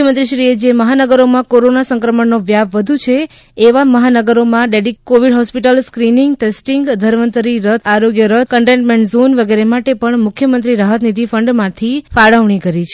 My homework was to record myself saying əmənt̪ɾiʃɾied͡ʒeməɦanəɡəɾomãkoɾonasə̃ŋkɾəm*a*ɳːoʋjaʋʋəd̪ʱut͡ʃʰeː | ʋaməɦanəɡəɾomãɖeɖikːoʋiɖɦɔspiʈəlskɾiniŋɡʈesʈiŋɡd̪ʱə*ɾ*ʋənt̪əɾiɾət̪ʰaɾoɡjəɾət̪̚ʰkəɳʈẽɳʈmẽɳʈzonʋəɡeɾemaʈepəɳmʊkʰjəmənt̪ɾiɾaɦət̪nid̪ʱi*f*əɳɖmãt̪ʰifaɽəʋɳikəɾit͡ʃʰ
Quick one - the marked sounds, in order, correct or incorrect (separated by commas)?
incorrect, correct, correct